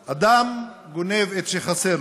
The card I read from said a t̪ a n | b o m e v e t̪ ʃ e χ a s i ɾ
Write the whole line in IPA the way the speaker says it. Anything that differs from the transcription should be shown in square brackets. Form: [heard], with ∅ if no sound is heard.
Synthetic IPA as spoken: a [d̪] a [m] | [ɡ] o [n] e v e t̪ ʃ e χ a s [e] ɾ

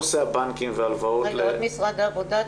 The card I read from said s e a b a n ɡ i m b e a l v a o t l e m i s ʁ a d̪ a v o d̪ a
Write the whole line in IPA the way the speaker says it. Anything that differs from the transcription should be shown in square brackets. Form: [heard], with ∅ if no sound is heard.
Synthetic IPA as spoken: s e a b a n [k] i m [v] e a l v a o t l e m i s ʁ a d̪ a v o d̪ a

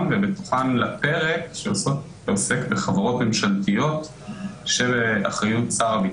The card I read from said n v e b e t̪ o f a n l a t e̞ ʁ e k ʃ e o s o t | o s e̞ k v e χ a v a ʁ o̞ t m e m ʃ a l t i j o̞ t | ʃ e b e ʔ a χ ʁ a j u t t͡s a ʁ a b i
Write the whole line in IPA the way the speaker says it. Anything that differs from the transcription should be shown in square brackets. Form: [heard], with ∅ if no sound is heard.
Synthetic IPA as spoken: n v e b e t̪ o [χ] a n l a [p] e̞ ʁ e k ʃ e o s o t | o s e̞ k [b] e χ a v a ʁ o̞ t m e m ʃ a l t i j o̞ t | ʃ e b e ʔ a χ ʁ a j u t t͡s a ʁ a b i

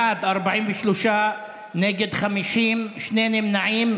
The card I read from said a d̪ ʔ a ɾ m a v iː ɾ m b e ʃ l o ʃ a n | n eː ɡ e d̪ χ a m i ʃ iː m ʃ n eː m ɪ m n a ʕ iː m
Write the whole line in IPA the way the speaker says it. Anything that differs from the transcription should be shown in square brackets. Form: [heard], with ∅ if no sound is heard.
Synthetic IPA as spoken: a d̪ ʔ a ɾ [b] a [ʕ] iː [∅] m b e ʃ l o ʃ a [∅] | n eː ɡ e d̪ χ a m i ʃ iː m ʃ n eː [n] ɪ m n a ʕ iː m

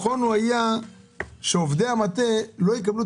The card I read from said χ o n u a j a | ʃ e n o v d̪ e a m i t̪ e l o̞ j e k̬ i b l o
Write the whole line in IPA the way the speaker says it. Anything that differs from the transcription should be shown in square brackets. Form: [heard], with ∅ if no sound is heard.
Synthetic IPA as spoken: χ o n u a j a | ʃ e [∅] o v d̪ e a m [a] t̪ e l o̞ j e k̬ [a] b l [u]

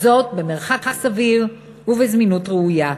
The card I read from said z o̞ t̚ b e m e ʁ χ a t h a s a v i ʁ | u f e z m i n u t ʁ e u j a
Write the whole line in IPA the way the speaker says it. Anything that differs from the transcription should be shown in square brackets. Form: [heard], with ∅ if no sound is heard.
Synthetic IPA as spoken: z o̞ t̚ b e m e ʁ χ a [k] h a s a v i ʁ | u [v] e z m i n u t ʁ e u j a

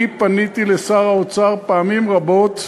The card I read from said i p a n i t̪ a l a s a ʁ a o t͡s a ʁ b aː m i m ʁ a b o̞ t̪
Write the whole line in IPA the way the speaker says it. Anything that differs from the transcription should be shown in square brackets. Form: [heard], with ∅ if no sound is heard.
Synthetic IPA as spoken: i p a n i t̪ [i] l [e] s a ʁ a o t͡s a ʁ [p] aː m i m ʁ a b o̞ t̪

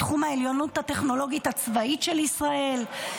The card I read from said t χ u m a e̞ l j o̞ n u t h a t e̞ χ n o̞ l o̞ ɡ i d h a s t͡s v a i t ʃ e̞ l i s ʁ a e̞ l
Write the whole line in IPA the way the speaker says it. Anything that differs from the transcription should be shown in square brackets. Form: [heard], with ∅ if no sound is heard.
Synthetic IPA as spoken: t χ u m a e̞ l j o̞ n u t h a t e̞ χ n o̞ l o̞ ɡ i [t] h a [∅] t͡s v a i t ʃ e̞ l i s ʁ a e̞ l

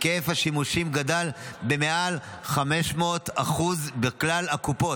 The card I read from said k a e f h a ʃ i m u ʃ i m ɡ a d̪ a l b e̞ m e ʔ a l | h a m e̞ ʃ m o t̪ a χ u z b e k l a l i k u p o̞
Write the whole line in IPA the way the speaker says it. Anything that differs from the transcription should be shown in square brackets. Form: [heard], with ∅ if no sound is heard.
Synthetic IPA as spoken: k [e] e f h a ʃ i m u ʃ i m ɡ a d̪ a l b e̞ m e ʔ a l | [χ] a m e̞ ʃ m o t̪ a χ u z b e k l a l [a] k u p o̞

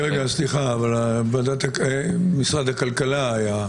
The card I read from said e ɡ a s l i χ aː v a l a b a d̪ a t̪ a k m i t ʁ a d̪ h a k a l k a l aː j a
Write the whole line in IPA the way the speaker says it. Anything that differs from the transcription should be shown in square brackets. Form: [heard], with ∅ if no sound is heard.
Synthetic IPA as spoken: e ɡ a s l i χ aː v a l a b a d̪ a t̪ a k m i [s] ʁ a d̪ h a k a l k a l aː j a

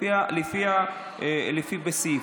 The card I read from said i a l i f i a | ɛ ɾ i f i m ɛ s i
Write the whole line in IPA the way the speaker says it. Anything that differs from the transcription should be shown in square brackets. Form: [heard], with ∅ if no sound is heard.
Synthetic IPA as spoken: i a l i f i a | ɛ [l] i f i [b] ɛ s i

